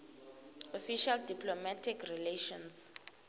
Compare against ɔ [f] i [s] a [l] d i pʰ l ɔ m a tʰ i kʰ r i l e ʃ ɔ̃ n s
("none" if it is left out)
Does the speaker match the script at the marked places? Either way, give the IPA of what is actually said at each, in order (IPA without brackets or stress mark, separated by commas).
f, ʃ, l